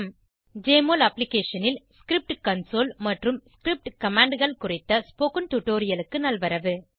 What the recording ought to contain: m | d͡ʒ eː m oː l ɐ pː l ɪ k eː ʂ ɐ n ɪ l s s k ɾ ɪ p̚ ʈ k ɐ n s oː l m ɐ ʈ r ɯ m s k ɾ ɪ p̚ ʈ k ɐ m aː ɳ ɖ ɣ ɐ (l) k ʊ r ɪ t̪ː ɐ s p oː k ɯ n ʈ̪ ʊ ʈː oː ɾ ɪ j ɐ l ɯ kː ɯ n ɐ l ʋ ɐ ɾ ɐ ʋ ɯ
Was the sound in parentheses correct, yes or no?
no